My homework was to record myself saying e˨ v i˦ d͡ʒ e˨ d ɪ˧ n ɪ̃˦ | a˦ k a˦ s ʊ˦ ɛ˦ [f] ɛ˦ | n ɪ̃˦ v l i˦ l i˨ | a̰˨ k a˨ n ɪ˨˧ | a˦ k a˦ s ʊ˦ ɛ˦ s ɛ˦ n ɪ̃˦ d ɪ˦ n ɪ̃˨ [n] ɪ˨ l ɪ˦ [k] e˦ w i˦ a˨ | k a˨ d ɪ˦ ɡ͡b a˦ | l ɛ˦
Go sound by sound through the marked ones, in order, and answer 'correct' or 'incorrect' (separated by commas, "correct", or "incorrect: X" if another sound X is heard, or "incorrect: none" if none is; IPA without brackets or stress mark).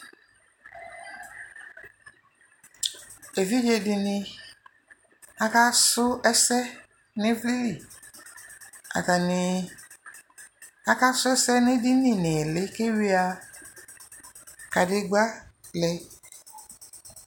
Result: incorrect: s, correct, correct